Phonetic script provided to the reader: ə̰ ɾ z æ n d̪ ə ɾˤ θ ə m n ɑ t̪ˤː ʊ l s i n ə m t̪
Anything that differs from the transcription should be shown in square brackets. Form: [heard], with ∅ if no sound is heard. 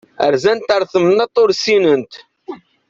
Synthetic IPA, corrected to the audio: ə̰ ɾ z æ n [t̪] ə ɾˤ θ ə m n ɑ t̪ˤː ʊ [ɾ] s i n ə [n] t̪